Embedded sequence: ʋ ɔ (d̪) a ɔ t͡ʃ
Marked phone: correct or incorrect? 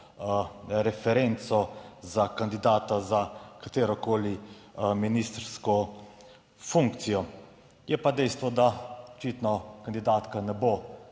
correct